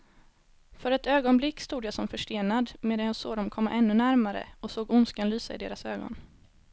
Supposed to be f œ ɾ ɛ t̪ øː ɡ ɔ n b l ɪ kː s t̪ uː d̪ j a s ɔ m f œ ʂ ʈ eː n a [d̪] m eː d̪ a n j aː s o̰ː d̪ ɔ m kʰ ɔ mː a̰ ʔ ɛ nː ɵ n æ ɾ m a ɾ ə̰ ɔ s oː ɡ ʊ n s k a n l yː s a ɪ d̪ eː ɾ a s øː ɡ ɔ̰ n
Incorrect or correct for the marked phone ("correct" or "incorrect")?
correct